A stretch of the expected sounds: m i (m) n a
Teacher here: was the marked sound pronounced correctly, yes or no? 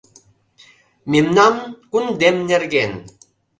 yes